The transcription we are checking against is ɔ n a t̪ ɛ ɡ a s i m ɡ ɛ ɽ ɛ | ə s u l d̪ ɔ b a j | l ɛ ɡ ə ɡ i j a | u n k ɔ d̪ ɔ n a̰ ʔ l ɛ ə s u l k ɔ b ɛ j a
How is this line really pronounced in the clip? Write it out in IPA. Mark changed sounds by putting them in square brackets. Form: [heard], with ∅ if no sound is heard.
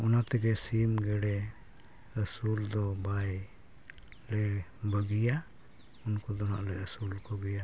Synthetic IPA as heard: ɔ n a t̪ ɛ ɡ [ɛ] s i m ɡ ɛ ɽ ɛ | ə s u l d̪ ɔ b a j | l ɛ [b] ə ɡ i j a | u n k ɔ d̪ ɔ n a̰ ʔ l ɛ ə s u l k ɔ [ɡ] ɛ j a